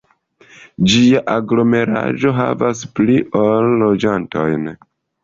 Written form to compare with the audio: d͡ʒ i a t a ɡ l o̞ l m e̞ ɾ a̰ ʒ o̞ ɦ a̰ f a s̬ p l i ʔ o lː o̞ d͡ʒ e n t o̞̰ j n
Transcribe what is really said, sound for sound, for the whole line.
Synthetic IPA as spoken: d͡ʒ i a ʔ a ɡ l o̞ m e̞ ɾ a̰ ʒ o̞ ɦ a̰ v a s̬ p l i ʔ o lː o̞ d͡ʒ a n t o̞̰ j n